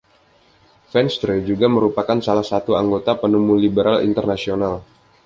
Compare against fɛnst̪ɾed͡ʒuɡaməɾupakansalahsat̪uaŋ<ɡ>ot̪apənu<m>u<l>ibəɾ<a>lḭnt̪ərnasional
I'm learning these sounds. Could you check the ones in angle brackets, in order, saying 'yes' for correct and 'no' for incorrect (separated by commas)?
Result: yes, yes, yes, yes